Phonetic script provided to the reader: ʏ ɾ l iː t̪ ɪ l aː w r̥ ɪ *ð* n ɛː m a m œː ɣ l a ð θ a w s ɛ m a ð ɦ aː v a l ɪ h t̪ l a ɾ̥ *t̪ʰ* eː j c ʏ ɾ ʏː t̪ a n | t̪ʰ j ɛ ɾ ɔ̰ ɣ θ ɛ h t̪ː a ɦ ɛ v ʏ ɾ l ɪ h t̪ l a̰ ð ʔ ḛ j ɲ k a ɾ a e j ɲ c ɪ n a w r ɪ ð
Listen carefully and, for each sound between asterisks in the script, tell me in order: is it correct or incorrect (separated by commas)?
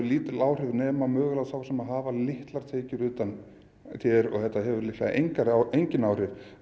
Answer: correct, correct